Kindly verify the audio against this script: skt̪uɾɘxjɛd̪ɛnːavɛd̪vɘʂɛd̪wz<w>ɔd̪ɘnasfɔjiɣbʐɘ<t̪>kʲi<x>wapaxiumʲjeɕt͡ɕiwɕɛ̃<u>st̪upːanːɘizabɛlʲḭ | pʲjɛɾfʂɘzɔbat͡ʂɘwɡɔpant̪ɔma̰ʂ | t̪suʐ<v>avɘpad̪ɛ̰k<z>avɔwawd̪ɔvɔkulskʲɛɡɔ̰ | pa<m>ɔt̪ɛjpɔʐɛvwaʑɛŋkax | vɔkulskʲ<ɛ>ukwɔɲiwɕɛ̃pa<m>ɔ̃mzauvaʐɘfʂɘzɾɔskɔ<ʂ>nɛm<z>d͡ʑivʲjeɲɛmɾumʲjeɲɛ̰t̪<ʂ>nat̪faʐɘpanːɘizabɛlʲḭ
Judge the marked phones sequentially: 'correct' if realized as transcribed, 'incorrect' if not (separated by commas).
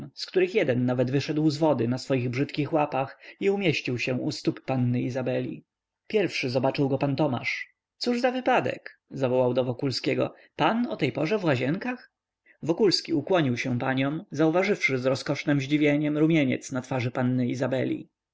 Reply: incorrect, correct, correct, correct, incorrect, correct, incorrect, incorrect, incorrect, correct, incorrect, incorrect